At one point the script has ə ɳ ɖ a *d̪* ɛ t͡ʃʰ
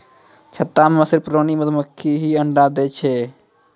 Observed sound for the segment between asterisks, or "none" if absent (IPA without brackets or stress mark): d̪